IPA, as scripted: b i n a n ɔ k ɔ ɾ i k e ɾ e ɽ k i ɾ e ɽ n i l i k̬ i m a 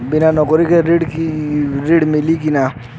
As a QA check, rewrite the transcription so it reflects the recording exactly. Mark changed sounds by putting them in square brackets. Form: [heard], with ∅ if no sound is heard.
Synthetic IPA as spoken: b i n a n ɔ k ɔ ɾ i k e ɾ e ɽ k i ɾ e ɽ [m] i l i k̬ i [n] a